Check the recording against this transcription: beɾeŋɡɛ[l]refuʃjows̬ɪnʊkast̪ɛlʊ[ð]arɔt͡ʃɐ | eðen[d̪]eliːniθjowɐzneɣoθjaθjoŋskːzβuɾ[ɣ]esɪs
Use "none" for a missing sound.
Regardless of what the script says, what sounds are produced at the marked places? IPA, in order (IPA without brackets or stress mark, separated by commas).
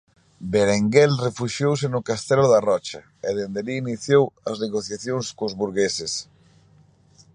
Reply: l, ð, d̪, ɣ